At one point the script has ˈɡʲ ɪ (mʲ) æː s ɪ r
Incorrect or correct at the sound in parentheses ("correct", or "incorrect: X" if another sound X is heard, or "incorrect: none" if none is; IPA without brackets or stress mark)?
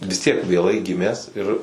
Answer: correct